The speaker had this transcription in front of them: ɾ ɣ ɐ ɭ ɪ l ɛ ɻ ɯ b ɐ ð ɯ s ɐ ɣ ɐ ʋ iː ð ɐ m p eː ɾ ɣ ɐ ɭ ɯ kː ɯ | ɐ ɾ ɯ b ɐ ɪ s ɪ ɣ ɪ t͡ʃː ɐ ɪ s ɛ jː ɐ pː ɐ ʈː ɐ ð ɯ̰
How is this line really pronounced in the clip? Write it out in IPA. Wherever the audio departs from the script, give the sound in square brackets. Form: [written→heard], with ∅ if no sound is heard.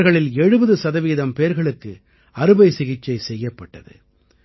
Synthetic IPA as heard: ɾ ɣ ɐ ɭ ɪ l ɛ ɻ ɯ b ɐ ð ɯ s ɐ [ɣ→ð] ɐ ʋ iː ð ɐ m p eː ɾ ɣ ɐ ɭ ɯ kː ɯ | ɐ ɾ ɯ b ɐ ɪ s ɪ ɣ ɪ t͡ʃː ɐ ɪ s ɛ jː ɐ pː ɐ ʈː ɐ ð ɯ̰

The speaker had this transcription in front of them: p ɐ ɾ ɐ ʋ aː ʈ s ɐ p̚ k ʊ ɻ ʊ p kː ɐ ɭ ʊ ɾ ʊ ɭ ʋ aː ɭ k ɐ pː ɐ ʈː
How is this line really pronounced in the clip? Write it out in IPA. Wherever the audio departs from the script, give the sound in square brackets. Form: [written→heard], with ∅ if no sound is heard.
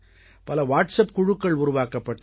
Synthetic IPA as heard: p ɐ [ɾ→l] ɐ ʋ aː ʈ s ɐ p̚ k ʊ ɻ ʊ [p→∅] kː ɐ ɭ ʊ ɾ ʊ [ɭ→∅] ʋ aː [ɭ→∅] k ɐ pː ɐ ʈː

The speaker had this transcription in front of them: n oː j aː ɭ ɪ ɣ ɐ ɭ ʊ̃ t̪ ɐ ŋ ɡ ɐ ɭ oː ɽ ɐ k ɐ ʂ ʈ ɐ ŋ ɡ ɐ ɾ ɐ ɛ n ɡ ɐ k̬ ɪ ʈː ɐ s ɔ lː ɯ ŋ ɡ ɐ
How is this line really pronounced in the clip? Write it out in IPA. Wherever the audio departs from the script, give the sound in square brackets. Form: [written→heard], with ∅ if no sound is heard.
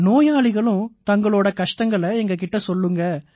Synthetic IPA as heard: n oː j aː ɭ ɪ ɣ ɐ ɭ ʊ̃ t̪ ɐ ŋ ɡ ɐ ɭ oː ɽ ɐ k ɐ ʂ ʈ ɐ ŋ ɡ ɐ [ɾ→ɭ] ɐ ɛ [n→ŋ] ɡ ɐ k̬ ɪ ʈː ɐ s ɔ lː ɯ ŋ ɡ ɐ

